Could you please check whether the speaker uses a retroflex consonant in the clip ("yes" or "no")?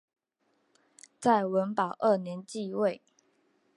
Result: no